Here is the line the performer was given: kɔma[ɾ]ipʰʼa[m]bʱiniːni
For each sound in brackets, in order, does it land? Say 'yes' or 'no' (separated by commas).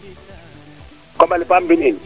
no, yes